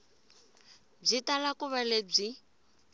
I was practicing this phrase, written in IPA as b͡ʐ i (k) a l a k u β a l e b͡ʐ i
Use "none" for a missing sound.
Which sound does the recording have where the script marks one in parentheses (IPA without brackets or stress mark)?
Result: t